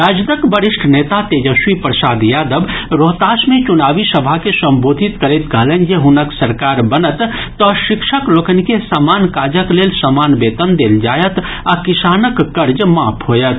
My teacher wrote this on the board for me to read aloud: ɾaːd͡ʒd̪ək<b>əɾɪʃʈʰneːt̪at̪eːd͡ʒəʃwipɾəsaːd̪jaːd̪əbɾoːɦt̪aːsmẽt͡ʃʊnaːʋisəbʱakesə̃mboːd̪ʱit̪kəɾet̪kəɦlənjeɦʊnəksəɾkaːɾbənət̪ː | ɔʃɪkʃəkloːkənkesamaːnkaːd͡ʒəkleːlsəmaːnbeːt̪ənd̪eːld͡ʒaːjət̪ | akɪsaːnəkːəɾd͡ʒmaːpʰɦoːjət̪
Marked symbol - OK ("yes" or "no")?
yes